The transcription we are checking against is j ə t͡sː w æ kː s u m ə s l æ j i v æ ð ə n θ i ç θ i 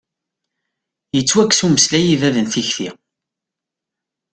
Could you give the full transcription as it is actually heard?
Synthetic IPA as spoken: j ə t͡sː w æ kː s u m ə s l æ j i v æ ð ə n θ i ç θ i